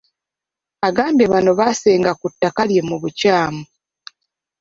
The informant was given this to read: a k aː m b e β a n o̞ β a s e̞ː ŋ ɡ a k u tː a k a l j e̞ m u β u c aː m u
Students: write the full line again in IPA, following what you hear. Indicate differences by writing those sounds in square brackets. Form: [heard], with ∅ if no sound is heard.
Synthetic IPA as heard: a [ɡ] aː m b e β a n o̞ β a s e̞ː ŋ ɡ a k u tː a k a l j e̞ m u β u c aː m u